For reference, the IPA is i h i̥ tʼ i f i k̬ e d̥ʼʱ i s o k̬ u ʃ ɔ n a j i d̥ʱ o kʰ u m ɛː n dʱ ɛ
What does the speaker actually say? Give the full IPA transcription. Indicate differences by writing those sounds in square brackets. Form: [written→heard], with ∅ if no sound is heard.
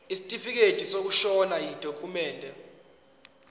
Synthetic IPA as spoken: i [h→s] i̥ tʼ i f i k̬ e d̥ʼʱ i s o k̬ u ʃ ɔ n a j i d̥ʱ o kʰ u m ɛː n dʱ ɛ

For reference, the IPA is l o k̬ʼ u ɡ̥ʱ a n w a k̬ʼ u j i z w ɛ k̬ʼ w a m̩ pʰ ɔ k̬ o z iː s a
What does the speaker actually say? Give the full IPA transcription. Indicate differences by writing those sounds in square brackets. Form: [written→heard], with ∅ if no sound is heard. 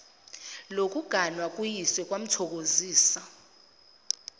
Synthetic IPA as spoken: l o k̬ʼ u ɡ̥ʱ a n w a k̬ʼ u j i [z→s] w ɛ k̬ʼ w a m̩ [pʰ→tʰ] ɔ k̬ o z iː s a

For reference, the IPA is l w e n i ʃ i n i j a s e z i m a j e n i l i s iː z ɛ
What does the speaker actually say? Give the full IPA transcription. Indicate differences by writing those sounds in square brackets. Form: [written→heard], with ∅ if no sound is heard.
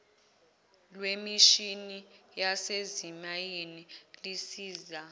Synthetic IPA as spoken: l w e [n→m] i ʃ i n i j a s e z i m a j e n i l i s iː z [ɛ→a]

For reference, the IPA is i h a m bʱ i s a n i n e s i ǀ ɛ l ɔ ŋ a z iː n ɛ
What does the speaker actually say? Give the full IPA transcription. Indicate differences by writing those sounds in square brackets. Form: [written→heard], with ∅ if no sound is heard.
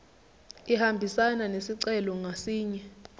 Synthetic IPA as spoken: i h a m bʱ i s a n [i→a] n e s i ǀ ɛ l ɔ ŋ a [z→s] iː [n→ɲ] ɛ

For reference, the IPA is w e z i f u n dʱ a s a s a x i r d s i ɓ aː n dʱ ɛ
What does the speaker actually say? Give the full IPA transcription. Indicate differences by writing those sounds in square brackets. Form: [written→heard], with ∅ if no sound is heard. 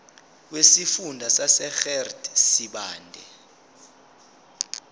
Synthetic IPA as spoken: w e [z→s] i f u n dʱ a s a s [a→ɛ] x [i→ɛ] r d s i ɓ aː n dʱ ɛ

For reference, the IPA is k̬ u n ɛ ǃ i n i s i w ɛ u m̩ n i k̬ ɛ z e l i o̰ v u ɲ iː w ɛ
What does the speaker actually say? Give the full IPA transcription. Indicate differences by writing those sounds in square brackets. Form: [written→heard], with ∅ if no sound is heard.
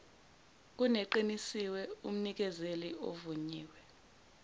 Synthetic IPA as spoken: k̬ u n ɛ ǃ i n i s i w ɛ u m̩ n i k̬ ɛ z e l i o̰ v u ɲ iː w ɛ

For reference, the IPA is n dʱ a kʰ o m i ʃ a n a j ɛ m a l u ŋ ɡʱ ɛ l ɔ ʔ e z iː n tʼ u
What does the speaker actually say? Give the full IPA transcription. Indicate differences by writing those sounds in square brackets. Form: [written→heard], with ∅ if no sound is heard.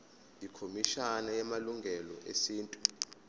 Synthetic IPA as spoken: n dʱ [a→i] kʰ o m i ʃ a n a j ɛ m a l u ŋ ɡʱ ɛ l ɔ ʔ e [z→s] iː n tʼ u

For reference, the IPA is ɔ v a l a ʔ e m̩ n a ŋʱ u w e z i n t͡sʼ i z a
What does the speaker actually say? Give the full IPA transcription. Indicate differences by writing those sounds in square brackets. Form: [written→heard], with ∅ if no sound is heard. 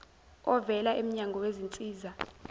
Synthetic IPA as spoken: ɔ v [a→ɛ] l a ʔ e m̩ [n→ɲ] a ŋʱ [u→ɔ] w e z i n t͡sʼ [i→iː] z a

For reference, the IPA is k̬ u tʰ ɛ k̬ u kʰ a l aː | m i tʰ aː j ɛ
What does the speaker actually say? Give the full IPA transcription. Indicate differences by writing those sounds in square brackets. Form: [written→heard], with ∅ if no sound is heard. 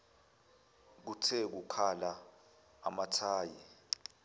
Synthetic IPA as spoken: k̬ u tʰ ɛ k̬ u kʰ a l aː | m [i→a] tʰ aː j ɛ

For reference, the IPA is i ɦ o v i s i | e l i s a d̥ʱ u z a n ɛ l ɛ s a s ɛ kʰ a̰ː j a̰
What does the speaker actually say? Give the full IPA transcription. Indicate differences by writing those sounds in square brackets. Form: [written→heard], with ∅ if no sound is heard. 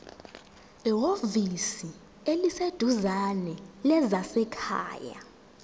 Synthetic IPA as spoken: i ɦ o v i s i | e l i s [a→e] d̥ʱ u z a n ɛ l ɛ [s→z] a s ɛ kʰ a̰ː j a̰

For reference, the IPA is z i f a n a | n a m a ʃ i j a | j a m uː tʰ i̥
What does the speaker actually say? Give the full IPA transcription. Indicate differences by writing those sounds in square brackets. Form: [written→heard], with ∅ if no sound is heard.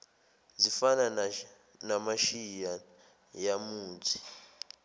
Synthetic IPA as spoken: z i f a n a | n a m a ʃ i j a | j a m uː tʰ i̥

